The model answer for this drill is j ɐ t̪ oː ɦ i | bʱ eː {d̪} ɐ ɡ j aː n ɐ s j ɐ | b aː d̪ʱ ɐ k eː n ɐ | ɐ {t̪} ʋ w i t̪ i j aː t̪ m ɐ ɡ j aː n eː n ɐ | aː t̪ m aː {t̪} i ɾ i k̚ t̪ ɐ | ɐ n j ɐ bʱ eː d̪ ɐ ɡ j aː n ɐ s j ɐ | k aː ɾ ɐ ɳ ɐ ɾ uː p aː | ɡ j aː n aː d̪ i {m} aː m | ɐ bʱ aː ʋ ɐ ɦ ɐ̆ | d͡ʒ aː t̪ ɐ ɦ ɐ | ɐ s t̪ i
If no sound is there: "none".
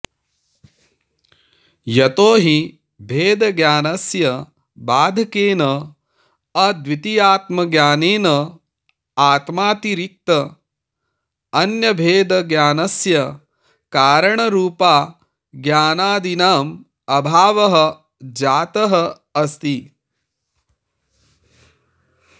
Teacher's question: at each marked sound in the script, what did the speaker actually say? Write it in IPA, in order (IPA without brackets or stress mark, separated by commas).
d̪, d̪, t̪, n